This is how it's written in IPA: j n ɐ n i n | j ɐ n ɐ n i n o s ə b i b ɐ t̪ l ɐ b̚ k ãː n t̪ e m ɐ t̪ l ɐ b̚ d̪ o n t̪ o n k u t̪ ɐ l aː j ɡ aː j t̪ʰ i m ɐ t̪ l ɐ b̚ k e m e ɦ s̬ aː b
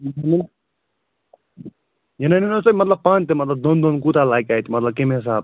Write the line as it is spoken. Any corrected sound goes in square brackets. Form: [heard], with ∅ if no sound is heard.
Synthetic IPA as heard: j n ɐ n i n | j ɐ n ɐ n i n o s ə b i [m] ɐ t̪ l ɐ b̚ [p] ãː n t̪ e m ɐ t̪ l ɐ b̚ d̪ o n [d̪] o n k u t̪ [a] l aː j [k] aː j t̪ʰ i m ɐ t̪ l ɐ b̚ k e m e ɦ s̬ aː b